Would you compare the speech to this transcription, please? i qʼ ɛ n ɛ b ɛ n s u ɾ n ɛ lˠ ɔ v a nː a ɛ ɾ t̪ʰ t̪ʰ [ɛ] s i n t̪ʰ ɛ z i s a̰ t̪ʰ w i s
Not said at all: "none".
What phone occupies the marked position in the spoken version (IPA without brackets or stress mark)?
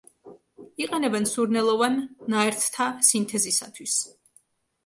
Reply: a